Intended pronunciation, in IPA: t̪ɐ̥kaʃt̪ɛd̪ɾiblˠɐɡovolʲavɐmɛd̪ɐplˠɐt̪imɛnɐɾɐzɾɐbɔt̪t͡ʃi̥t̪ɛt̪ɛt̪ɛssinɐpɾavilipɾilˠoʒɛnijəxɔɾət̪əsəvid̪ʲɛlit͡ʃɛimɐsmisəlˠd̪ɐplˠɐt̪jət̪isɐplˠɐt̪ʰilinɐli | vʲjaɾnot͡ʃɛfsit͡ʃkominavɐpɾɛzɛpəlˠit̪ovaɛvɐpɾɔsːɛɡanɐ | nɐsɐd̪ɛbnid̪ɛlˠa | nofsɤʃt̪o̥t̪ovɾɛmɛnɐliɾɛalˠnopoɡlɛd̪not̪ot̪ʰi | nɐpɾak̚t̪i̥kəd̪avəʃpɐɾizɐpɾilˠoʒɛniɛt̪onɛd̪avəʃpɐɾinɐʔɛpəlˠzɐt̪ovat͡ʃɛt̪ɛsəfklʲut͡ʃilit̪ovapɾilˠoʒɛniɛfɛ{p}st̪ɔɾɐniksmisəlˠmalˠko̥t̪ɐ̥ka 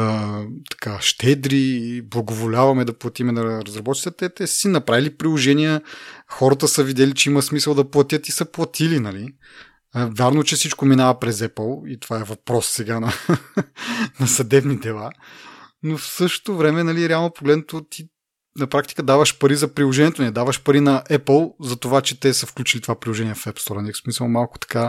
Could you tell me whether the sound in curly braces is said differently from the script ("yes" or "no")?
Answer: no